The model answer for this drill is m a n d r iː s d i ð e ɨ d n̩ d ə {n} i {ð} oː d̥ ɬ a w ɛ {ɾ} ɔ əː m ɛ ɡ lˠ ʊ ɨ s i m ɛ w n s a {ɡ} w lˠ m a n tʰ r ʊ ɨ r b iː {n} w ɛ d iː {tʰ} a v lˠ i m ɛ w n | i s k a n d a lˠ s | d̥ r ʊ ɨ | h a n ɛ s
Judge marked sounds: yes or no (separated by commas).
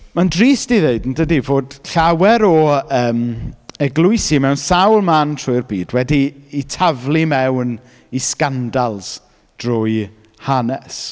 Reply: no, no, yes, no, no, yes